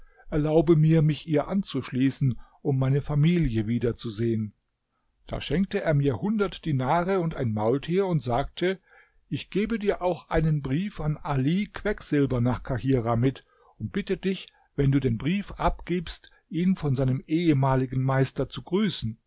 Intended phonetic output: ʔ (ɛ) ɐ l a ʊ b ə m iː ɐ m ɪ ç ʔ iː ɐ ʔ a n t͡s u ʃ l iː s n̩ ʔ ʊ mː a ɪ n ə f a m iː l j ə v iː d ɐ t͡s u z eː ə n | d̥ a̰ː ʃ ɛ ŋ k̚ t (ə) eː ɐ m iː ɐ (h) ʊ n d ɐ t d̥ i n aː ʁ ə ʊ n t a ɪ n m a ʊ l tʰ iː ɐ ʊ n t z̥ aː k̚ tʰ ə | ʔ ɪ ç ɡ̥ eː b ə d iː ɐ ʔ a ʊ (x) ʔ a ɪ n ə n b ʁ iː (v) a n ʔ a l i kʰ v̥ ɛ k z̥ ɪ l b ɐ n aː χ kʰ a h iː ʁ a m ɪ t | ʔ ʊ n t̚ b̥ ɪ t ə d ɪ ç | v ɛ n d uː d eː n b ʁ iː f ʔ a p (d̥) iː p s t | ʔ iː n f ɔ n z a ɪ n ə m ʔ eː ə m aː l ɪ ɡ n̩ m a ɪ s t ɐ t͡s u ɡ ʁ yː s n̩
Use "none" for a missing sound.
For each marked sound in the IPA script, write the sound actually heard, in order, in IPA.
ɛ, ə, h, x, f, ɡ̥

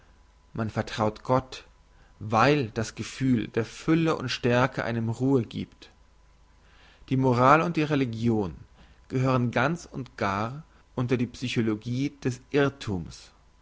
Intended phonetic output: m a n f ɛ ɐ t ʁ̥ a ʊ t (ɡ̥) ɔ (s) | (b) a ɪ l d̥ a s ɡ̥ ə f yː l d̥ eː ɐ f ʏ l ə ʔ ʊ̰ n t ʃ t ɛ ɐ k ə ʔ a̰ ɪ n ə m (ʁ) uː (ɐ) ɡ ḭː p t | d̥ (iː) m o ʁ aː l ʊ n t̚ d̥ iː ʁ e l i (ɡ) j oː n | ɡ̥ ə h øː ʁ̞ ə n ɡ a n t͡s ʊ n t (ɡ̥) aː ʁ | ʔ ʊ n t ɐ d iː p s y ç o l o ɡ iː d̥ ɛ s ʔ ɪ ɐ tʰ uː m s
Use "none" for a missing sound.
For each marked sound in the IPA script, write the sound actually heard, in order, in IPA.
ɡ̥, t, v, ʁ, ə, iː, ɡ, ɡ̥

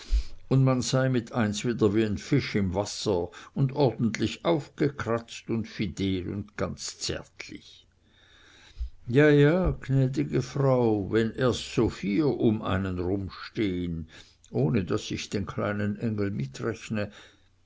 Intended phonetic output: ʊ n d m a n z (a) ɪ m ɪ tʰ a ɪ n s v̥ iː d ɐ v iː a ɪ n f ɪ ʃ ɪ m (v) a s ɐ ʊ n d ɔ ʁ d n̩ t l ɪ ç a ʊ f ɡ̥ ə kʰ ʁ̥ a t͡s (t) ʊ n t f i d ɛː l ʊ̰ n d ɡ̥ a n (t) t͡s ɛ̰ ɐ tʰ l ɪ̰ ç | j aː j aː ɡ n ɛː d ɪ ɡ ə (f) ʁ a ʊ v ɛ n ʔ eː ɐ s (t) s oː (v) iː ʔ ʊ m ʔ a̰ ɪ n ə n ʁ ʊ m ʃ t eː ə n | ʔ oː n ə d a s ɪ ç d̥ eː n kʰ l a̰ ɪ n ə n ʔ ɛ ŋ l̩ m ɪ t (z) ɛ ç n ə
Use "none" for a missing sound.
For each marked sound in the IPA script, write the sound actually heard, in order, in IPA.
a, v, t, t͡s, f, t, f, ʁ

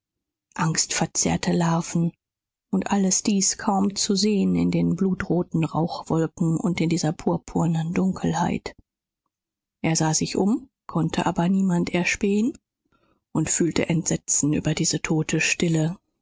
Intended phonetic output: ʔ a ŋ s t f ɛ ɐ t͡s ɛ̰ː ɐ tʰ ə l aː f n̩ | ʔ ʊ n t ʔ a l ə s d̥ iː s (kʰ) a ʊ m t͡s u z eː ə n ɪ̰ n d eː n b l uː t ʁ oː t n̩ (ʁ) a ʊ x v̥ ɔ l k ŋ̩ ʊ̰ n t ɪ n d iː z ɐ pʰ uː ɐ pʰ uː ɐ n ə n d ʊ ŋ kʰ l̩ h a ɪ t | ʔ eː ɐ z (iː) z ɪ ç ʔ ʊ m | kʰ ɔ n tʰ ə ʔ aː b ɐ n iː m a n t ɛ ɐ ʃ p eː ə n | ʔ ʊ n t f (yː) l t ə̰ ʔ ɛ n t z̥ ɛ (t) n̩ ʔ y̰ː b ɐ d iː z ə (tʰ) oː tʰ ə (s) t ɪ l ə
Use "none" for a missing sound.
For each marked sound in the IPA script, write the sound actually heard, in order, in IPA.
kʰ, ʁ, aː, yː, t͡s, tʰ, ʃ

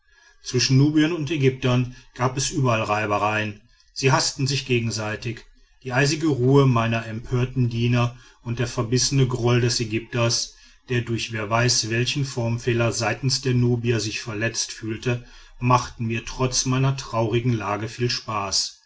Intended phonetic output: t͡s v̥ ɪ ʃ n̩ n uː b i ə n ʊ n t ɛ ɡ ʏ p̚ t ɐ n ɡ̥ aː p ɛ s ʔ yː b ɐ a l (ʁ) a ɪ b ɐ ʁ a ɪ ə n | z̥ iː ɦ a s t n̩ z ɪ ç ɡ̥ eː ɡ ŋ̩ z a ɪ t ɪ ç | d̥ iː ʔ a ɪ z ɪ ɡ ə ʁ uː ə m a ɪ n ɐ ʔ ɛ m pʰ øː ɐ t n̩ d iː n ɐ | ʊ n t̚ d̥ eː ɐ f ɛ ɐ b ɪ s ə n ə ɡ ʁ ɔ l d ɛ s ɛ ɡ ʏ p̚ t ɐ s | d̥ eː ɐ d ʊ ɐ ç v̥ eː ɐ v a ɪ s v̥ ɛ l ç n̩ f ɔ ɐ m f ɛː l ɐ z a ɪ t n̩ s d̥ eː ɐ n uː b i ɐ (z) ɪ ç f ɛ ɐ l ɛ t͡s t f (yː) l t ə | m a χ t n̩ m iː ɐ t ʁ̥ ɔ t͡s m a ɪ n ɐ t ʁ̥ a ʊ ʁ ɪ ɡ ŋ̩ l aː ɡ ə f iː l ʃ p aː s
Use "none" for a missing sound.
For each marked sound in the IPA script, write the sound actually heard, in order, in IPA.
ʁ, z, yː

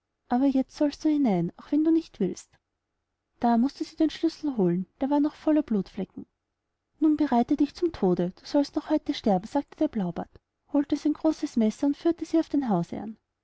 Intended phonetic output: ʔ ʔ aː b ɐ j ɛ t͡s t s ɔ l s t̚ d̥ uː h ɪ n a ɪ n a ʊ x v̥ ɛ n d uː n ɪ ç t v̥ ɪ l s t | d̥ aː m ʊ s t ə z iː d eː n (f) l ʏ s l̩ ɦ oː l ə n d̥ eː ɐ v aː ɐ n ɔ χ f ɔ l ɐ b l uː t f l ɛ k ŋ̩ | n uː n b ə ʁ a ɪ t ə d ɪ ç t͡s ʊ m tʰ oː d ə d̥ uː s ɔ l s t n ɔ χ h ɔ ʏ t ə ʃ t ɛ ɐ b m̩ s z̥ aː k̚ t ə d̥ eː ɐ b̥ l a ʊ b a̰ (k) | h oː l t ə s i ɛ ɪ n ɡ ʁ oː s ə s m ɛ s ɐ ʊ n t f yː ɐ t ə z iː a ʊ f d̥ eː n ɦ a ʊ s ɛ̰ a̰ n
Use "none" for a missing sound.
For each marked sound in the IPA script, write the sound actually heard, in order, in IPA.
ʃ, t

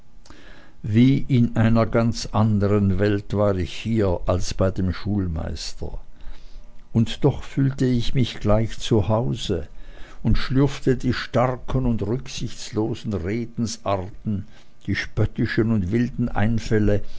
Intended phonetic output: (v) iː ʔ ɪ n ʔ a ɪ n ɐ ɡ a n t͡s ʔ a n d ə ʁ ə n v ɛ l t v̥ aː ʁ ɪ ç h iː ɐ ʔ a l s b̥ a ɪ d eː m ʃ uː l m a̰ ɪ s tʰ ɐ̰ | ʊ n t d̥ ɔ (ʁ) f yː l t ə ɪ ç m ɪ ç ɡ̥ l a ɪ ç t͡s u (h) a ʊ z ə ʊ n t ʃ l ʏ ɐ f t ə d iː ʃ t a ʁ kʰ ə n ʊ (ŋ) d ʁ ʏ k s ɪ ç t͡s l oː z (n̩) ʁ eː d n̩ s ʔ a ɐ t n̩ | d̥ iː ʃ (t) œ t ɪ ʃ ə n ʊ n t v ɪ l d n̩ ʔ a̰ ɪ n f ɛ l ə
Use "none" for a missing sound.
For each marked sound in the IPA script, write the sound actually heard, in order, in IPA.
v, χ, h, n, n̩, p

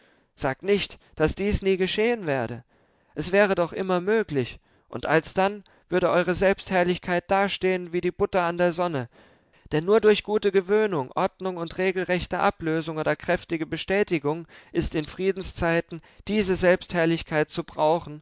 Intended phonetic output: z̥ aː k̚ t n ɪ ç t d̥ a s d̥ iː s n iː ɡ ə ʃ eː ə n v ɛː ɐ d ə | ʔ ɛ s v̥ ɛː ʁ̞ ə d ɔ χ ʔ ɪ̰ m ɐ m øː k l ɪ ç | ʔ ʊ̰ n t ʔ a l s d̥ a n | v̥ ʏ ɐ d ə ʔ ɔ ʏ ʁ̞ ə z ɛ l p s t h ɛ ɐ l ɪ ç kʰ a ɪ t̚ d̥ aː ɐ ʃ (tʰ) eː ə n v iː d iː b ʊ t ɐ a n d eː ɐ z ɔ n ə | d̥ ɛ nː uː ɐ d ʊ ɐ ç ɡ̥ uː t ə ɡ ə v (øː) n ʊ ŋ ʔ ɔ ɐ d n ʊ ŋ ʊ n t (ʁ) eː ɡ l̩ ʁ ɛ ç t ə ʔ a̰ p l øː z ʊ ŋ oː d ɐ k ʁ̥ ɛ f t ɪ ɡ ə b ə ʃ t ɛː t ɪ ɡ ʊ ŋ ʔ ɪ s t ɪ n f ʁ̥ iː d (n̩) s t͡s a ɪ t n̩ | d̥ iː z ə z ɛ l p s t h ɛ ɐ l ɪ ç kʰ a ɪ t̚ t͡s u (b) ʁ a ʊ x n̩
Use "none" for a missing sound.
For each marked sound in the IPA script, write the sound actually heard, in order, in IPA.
t, øː, ʁ, n̩, b

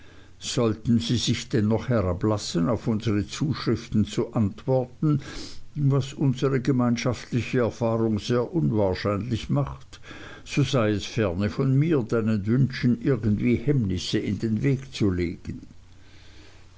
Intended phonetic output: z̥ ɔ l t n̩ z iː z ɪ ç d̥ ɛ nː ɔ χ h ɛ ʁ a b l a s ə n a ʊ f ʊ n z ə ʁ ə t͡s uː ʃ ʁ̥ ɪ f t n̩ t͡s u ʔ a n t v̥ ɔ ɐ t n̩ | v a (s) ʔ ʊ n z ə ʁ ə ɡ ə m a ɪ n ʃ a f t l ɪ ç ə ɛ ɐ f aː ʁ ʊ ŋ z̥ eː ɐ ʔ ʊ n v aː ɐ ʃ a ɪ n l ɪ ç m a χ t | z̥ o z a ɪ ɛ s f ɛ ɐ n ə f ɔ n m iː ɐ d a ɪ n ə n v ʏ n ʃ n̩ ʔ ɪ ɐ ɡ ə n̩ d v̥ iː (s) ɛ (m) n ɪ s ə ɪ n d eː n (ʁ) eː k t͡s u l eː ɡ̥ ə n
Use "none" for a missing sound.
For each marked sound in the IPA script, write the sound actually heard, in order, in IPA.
s, h, m, v

